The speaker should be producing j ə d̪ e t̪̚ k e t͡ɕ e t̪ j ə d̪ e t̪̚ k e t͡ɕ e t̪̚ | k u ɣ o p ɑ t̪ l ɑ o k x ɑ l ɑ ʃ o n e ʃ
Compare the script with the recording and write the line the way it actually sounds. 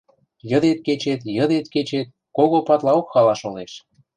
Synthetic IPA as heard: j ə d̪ e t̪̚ k e t͡ɕ e t̪ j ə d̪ e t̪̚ k e t͡ɕ e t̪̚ | k o ɣ o p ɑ t̪ l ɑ o k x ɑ l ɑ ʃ o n e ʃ